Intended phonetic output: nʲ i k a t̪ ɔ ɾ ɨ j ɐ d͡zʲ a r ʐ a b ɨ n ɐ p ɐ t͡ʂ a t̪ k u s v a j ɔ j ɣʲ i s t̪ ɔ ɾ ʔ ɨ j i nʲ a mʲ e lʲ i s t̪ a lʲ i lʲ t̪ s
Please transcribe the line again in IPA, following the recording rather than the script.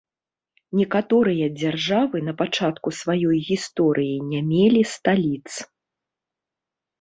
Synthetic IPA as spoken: nʲ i k a t̪ ɔ ɾ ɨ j ɐ d͡zʲ a r ʐ a v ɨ n ɐ p a t͡ʂ a t̪ k u s v a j ɔ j ɣʲ i s t̪ ɔ ɾ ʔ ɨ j i nʲ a mʲ e lʲ i s t̪ a lʲ i t̪ s